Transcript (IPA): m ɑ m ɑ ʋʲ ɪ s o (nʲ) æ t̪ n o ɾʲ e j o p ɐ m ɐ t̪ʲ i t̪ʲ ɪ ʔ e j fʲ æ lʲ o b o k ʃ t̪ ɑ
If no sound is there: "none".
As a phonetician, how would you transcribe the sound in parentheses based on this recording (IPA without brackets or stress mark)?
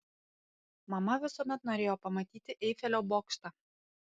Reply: mʲ